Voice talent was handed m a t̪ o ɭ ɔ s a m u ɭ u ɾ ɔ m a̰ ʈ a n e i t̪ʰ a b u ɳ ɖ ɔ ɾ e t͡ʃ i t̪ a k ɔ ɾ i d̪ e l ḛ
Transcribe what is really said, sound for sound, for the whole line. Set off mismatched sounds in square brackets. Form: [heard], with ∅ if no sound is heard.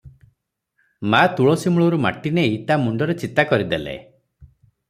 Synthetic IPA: m a t̪ [u] ɭ ɔ s [i] m u ɭ [ɔ] ɾ [u] m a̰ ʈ [i] n e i [t̪] a [m] u ɳ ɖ ɔ ɾ e t͡ʃ i t̪ a k ɔ ɾ i d̪ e l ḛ